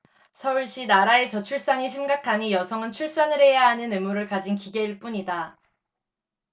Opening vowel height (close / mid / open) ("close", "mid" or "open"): mid